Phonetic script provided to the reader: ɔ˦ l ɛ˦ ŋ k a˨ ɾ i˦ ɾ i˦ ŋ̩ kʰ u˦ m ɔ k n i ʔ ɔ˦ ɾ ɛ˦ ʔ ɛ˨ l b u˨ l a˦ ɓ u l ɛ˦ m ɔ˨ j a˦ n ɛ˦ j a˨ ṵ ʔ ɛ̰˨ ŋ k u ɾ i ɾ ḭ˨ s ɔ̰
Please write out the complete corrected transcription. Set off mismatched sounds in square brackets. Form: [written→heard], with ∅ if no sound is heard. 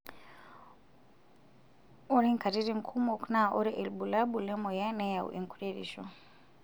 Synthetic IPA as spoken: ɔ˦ [l→ɾ] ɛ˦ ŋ k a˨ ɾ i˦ ɾ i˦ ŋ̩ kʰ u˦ m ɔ k n [i→a] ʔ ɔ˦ ɾ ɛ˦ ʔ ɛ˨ l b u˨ l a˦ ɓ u l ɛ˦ m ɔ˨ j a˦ n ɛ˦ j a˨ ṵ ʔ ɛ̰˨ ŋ k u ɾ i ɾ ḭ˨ [s→ʃ] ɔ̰